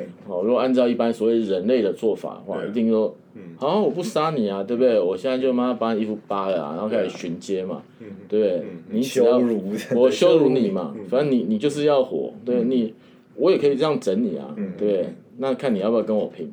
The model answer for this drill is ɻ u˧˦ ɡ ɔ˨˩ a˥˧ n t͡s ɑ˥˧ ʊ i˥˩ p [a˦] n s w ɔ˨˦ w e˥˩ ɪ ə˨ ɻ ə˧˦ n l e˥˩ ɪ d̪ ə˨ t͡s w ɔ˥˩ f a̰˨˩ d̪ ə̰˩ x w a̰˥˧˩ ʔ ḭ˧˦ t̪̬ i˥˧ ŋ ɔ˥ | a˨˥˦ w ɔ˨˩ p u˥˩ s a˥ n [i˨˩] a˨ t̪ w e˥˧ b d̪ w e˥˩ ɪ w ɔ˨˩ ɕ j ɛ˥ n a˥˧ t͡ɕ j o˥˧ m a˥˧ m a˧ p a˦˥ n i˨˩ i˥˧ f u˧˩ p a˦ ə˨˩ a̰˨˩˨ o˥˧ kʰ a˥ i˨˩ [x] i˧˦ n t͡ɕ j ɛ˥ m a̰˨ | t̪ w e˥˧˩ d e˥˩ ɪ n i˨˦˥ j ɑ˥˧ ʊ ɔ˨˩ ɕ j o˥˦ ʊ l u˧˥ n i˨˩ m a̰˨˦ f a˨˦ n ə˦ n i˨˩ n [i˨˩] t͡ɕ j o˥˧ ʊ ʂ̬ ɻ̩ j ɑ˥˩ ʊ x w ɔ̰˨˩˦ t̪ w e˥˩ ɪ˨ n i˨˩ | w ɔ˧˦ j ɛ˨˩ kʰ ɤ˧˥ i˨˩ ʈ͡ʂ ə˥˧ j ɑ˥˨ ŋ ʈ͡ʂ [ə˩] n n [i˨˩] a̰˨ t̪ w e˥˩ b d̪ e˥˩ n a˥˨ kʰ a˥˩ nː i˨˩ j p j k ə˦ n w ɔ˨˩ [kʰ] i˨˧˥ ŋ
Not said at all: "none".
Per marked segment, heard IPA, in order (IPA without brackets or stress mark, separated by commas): a˦, i˨˩, ɕ, i˨˩, ə˨˦, i˨˩, pʰ